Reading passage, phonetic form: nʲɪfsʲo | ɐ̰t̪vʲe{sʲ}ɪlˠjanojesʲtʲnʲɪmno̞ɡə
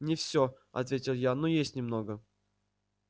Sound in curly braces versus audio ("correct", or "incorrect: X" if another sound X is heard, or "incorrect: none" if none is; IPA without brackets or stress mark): incorrect: tʲ